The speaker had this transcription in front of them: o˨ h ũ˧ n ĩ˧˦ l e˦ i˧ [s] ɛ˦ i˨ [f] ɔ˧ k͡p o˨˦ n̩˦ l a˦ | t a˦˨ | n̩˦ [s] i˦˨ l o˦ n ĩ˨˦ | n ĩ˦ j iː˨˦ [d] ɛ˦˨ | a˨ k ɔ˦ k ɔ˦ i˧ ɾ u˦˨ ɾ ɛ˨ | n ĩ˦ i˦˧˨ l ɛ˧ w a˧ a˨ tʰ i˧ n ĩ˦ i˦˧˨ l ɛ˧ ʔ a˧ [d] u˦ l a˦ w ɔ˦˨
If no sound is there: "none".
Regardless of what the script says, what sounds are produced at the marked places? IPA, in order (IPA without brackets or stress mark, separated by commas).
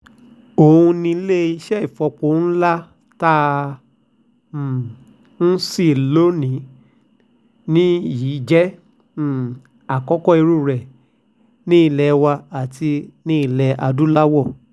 ʃ, f, s, d͡ʒ, d